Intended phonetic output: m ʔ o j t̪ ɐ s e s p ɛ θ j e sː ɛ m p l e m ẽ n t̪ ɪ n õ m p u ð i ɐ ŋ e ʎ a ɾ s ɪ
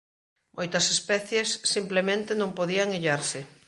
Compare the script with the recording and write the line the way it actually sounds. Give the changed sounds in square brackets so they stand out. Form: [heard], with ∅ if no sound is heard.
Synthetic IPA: m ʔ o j t̪ ɐ s e s p ɛ θ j e sː [i] m p l e m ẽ n t̪ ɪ n õ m p [o] ð i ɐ ŋ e ʎ a ɾ s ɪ